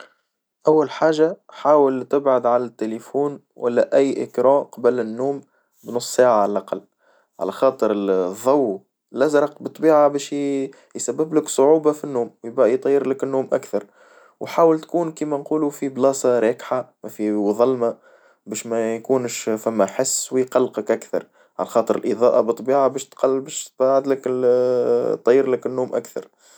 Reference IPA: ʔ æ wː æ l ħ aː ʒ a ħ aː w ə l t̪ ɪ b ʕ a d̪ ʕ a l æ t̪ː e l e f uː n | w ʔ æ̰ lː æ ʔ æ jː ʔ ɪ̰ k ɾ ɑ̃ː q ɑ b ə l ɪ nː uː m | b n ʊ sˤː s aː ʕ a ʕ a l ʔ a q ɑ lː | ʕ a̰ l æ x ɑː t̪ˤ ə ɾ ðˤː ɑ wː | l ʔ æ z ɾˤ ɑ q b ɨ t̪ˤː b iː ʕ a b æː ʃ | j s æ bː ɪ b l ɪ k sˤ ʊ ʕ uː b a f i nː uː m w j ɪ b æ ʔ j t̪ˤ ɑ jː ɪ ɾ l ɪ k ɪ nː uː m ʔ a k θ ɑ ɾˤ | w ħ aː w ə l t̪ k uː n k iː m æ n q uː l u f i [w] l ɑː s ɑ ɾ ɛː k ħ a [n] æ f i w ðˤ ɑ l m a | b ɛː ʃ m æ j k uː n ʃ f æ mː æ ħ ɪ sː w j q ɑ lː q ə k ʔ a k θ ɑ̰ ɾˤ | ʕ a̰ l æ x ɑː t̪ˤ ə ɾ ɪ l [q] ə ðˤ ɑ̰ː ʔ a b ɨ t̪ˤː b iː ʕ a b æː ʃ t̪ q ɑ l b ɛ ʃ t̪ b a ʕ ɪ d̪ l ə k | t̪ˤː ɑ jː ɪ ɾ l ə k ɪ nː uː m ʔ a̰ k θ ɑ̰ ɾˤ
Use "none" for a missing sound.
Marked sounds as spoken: b, m, ʔ

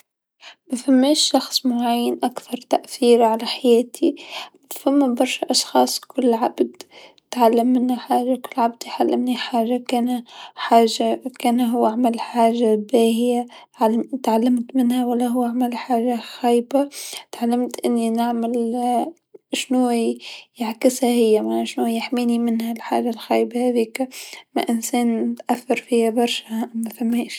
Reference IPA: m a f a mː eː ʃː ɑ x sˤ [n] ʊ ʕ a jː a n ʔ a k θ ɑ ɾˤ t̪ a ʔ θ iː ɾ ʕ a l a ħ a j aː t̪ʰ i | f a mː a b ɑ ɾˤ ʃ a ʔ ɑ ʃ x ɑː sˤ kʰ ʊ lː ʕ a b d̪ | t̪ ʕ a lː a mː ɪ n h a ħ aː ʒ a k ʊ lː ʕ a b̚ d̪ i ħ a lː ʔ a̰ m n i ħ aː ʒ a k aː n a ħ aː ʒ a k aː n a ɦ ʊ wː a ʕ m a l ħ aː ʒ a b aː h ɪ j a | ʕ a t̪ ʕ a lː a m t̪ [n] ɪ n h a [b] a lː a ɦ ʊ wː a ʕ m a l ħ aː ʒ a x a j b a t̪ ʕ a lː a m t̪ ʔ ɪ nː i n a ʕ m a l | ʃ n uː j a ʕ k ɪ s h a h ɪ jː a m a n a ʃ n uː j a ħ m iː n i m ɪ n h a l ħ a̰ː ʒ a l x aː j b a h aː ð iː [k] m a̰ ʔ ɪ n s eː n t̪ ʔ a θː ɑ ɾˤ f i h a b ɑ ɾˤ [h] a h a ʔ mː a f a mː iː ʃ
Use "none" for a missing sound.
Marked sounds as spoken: m, m, w, k, ʃ

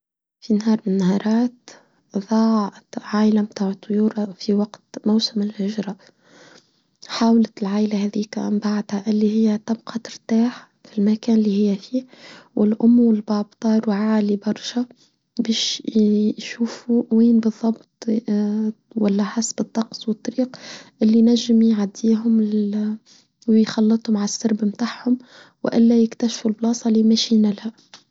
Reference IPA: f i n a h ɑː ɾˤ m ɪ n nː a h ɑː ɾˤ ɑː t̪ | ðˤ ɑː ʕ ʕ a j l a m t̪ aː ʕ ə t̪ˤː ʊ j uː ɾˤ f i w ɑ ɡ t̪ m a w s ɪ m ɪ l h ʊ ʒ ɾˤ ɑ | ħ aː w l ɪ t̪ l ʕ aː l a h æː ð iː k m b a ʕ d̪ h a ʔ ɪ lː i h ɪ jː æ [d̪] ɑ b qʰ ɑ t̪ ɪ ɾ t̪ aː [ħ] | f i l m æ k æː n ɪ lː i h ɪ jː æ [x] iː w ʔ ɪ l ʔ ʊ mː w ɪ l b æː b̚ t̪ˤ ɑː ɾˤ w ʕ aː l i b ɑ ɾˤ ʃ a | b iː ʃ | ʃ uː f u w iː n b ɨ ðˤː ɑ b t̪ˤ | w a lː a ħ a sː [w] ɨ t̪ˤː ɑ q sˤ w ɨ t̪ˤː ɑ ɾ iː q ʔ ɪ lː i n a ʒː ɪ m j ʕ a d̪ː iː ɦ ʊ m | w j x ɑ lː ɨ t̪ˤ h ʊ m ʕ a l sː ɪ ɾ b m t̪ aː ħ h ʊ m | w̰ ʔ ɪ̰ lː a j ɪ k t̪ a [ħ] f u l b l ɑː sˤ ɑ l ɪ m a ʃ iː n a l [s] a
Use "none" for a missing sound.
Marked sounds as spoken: t̪, ħ, f, b, ʃ, h

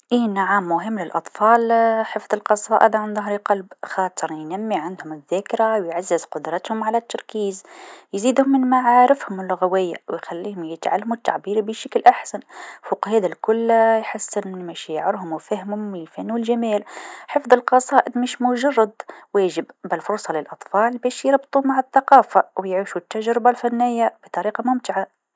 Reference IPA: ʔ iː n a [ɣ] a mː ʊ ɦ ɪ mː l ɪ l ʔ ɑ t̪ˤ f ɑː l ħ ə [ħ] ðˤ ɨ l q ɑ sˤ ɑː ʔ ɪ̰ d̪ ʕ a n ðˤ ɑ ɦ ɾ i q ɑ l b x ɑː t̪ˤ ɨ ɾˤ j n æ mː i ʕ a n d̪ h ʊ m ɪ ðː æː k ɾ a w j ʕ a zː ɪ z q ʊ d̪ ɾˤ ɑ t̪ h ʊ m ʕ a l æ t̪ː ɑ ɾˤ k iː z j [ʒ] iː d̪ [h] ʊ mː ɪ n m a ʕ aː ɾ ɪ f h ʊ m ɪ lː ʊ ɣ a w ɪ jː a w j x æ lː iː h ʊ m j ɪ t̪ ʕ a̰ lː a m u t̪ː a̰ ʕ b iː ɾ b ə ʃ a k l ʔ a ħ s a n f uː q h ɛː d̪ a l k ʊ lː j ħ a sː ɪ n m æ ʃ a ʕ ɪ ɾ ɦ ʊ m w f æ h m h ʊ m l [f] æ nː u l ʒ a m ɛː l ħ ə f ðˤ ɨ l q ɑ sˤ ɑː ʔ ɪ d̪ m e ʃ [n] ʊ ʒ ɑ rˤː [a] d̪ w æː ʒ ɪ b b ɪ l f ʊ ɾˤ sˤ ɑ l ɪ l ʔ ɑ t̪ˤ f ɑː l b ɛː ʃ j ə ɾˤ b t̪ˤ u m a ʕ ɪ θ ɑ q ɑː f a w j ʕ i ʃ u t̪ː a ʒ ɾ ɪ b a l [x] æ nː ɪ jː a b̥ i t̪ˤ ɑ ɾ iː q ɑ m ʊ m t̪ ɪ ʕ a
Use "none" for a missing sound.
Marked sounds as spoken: ʕ, f, z, h, f, m, ɑ, f

